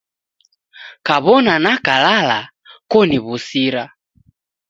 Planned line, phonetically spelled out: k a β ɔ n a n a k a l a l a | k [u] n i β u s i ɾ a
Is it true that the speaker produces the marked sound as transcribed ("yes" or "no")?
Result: no